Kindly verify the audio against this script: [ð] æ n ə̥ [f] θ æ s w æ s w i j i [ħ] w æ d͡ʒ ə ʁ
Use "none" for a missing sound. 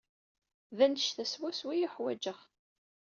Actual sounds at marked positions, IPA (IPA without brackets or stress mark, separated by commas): ð, ʃ, ħ